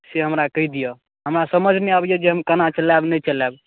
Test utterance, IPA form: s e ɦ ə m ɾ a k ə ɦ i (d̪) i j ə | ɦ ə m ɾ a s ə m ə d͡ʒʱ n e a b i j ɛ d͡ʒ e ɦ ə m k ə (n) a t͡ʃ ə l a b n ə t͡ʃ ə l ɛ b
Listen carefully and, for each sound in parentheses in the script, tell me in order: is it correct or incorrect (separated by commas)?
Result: correct, correct